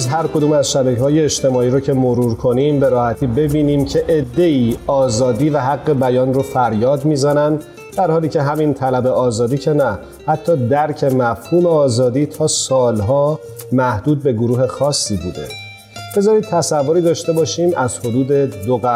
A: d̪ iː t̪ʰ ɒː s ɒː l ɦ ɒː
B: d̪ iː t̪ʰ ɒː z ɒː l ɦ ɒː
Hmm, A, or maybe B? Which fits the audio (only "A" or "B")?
A